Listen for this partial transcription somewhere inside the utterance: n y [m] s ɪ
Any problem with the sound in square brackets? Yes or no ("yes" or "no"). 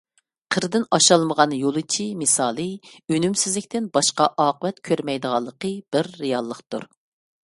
no